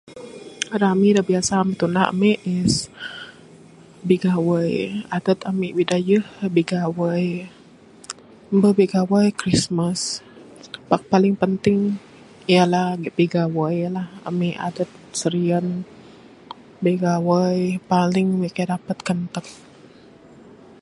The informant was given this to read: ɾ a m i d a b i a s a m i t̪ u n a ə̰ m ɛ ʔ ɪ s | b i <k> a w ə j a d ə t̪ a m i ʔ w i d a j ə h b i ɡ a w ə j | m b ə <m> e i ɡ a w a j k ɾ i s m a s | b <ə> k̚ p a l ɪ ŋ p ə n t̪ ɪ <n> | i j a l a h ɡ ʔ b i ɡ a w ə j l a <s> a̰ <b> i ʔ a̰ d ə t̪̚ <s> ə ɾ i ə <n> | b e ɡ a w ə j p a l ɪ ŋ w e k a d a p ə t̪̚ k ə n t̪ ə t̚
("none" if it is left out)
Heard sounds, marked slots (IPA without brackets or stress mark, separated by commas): ɡ, b, a, ŋ, h, m, s, n